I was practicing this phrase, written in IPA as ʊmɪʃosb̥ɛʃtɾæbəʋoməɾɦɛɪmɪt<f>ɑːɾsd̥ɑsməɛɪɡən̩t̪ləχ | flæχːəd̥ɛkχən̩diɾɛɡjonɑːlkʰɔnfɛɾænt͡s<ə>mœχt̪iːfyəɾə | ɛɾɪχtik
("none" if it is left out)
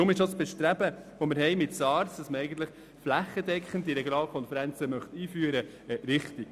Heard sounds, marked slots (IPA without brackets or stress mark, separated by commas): s, ə